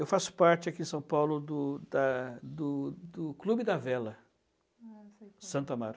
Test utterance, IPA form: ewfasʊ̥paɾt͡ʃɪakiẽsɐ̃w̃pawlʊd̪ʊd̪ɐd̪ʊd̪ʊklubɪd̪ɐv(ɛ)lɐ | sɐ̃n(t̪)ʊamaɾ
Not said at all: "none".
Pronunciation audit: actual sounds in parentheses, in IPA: ɛ, t̪

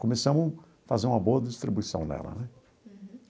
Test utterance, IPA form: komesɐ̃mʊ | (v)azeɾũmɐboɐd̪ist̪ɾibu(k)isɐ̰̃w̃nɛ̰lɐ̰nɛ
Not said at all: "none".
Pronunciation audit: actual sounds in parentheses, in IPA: f, none

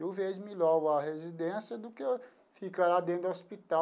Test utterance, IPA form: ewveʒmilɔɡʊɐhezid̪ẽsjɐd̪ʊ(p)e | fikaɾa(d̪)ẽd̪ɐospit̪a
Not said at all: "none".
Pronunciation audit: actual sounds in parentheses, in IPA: k, d̪

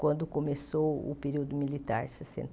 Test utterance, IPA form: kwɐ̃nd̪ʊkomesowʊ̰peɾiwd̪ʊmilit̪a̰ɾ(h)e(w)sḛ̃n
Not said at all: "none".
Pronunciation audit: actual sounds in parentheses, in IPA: s, none

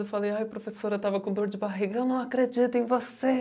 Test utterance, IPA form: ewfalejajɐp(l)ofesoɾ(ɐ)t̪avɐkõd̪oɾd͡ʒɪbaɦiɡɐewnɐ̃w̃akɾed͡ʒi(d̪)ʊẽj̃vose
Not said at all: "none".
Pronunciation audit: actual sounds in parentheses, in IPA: ɾ, ɐ, t̪

